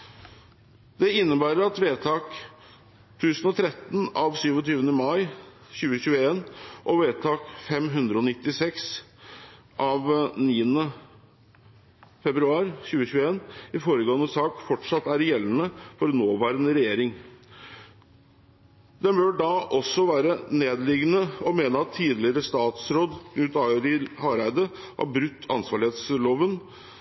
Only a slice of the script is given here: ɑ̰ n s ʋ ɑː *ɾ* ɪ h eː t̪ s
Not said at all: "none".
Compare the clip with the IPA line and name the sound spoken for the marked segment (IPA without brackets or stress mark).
ɭ